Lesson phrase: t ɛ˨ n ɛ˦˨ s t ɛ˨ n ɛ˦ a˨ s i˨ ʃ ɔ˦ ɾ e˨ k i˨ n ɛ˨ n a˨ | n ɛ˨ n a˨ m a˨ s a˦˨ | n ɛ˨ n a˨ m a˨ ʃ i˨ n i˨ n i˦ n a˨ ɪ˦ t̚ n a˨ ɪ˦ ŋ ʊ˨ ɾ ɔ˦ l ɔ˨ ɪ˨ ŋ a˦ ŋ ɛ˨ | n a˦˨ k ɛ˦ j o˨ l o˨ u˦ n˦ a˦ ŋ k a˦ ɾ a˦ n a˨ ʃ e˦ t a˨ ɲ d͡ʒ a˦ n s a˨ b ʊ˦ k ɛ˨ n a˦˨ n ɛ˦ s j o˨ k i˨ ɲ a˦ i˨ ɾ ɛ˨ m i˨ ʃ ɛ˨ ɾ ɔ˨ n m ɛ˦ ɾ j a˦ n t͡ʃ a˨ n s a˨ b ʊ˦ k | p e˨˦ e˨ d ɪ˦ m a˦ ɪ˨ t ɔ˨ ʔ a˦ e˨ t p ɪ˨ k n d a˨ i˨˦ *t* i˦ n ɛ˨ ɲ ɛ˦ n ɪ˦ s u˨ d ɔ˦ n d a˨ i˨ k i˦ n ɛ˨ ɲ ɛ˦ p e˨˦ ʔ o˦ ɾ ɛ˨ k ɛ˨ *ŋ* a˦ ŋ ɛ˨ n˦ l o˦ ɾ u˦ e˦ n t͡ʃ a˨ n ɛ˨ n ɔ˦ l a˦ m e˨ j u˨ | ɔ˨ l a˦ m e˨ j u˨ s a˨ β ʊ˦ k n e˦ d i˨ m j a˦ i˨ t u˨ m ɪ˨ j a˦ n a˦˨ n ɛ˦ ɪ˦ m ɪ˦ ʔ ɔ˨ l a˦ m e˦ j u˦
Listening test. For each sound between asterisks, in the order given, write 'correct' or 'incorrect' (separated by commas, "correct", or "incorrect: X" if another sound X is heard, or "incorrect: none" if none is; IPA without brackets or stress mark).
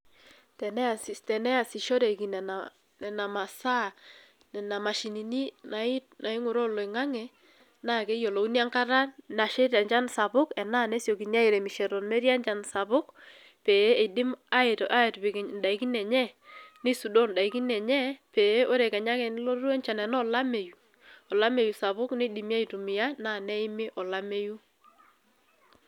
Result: incorrect: k, incorrect: ɲ